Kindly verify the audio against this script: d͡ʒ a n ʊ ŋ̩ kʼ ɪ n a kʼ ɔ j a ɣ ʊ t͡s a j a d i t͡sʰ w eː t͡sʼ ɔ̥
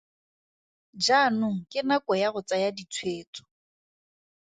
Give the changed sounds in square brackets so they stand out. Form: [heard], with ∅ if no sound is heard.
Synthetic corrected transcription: d͡ʒ a n ʊ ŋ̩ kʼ ɪ n a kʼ ɔ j a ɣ ʊ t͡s a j a d i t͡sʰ w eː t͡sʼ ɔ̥